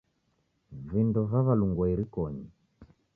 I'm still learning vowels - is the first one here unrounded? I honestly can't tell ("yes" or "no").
yes